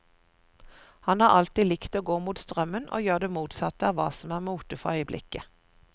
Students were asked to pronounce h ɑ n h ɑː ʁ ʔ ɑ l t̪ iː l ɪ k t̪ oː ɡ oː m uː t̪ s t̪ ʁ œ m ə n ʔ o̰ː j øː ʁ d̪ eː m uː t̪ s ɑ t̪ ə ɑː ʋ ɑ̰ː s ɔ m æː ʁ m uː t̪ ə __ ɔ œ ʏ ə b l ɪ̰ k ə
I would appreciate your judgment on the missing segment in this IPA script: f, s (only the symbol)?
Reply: f